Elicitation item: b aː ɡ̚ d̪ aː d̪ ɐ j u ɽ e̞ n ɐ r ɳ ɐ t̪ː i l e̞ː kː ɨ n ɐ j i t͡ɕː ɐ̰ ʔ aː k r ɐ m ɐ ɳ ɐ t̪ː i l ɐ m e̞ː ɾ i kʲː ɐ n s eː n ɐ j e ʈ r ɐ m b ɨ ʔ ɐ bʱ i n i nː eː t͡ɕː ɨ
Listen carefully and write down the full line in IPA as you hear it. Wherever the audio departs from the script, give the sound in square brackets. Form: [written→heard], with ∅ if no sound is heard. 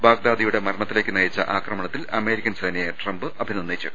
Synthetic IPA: b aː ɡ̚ d̪ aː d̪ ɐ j u ɽ e̞ [n→m] ɐ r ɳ ɐ t̪ː i l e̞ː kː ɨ n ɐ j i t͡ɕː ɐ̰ ʔ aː k r ɐ m ɐ ɳ ɐ t̪ː i l ɐ m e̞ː ɾ i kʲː ɐ n s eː n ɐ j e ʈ r ɐ m b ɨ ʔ ɐ bʱ i n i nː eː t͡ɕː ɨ